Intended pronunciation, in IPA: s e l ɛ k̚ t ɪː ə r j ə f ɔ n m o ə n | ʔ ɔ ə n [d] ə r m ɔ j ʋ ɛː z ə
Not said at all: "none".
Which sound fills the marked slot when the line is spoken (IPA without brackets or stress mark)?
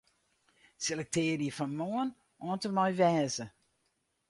t